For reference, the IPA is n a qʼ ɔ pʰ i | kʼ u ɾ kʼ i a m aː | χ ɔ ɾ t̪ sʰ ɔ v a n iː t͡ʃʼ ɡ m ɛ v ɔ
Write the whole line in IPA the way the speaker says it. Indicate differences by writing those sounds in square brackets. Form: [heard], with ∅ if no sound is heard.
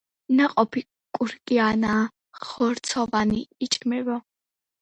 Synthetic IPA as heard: n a qʼ ɔ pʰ i | kʼ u ɾ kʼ i a [n] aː | χ ɔ ɾ t̪ sʰ ɔ v a n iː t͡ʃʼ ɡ m ɛ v ɔ